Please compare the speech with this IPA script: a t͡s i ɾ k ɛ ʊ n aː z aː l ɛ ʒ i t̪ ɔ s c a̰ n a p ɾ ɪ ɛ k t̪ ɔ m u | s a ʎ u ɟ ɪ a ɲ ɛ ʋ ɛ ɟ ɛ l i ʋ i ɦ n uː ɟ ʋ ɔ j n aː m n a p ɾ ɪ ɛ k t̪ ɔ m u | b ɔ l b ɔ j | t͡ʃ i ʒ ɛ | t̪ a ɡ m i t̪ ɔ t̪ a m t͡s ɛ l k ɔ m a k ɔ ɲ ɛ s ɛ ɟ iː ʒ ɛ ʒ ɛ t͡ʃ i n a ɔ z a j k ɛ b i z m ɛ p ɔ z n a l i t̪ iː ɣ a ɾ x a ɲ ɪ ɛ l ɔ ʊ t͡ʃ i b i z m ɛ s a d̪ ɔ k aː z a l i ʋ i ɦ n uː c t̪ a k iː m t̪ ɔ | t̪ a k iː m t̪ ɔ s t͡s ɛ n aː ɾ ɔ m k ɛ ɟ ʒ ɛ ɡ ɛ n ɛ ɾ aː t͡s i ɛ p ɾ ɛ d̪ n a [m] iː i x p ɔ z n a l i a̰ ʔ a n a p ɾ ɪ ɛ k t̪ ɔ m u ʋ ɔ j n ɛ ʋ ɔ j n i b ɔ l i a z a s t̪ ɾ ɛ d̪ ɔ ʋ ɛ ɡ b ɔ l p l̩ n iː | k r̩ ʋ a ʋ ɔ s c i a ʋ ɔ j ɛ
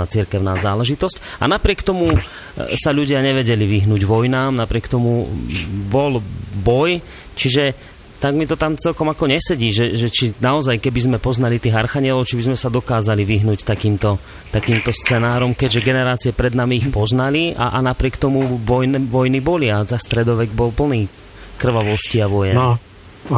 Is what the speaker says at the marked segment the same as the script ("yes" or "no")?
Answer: yes